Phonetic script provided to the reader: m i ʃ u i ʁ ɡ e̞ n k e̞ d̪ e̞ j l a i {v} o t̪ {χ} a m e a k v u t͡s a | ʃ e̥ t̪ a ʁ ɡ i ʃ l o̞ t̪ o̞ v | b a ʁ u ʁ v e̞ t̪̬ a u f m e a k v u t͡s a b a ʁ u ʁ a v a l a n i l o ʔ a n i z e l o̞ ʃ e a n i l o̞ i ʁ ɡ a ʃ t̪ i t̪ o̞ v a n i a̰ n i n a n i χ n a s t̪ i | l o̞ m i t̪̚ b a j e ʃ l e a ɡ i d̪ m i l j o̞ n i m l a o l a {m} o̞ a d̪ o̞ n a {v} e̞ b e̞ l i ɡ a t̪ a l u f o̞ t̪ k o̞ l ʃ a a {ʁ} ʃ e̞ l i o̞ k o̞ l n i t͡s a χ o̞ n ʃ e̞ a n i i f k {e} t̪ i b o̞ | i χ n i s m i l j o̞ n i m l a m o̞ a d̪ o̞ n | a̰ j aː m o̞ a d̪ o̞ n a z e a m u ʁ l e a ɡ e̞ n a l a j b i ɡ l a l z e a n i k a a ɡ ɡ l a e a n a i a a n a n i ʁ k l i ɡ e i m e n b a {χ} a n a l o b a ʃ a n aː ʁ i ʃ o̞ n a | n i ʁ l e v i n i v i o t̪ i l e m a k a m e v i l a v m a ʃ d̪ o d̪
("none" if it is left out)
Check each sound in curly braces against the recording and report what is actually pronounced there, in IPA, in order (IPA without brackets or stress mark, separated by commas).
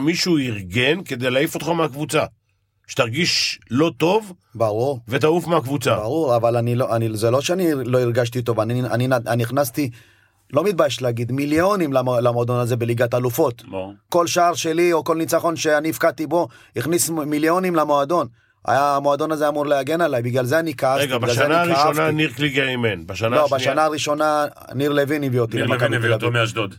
f, χ, m, z, ʁ, a, ʃ